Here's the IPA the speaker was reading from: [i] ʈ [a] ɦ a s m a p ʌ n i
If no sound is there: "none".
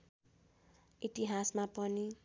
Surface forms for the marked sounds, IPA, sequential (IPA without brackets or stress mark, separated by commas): i, i